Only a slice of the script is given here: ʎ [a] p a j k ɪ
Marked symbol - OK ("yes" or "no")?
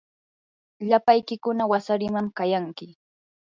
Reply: yes